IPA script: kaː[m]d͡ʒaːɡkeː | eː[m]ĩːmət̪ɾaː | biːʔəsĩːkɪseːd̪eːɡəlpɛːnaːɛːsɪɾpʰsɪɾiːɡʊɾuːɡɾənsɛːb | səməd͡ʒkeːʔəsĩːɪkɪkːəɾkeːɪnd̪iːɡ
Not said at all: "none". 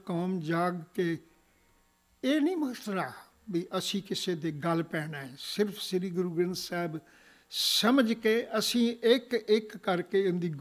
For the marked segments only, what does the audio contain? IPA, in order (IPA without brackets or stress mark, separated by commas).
m, n